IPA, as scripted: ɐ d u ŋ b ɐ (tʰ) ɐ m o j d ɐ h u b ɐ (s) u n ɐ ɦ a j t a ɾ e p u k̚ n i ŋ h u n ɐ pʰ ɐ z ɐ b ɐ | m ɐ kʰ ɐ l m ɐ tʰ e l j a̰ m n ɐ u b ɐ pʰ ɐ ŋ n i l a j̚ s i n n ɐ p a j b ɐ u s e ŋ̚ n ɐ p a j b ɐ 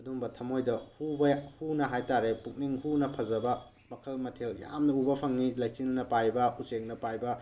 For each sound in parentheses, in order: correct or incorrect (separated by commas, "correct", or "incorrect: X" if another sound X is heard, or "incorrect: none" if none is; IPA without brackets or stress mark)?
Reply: correct, incorrect: h